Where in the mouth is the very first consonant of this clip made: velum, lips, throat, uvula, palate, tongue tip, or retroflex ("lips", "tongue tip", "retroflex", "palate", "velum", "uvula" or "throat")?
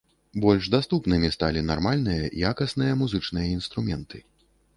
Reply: lips